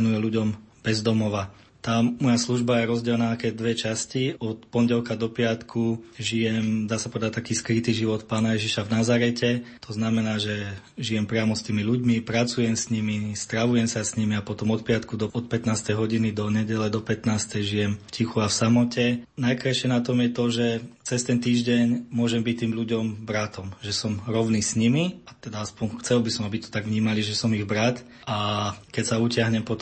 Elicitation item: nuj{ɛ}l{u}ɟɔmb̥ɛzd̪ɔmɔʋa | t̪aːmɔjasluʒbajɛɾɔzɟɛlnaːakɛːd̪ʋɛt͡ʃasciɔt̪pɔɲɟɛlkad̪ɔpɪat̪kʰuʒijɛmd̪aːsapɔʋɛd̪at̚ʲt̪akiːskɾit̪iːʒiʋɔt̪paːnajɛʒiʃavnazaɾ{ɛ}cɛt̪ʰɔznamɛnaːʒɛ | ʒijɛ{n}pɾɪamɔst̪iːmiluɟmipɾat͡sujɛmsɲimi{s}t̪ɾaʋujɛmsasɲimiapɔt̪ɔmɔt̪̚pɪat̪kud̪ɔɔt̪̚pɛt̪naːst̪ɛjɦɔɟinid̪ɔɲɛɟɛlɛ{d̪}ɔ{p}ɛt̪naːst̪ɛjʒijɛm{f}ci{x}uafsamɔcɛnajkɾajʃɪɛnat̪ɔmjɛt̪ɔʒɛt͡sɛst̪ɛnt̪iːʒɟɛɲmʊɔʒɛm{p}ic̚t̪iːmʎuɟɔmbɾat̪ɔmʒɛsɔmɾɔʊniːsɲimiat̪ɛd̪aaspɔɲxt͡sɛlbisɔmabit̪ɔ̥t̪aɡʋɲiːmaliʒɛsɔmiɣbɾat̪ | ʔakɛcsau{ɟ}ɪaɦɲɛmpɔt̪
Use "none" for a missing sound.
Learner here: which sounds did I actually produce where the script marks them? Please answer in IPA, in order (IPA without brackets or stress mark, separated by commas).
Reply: ɛ, u, ɛ, m, s, d̪, p, f, x, b, c